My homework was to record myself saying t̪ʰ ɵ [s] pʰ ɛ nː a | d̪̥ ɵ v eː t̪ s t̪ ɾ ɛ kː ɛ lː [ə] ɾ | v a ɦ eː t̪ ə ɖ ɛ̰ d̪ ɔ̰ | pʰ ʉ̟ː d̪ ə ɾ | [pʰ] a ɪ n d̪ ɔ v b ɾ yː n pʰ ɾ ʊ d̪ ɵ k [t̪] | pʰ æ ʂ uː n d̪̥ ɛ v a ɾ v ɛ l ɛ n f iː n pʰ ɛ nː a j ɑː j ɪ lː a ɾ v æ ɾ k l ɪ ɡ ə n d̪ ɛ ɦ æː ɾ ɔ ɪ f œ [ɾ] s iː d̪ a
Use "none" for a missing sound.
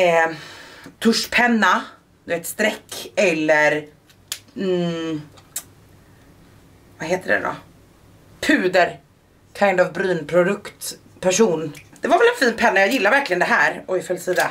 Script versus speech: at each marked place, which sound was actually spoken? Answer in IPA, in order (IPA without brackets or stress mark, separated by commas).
ʂ, ə, kʰ, t̪, l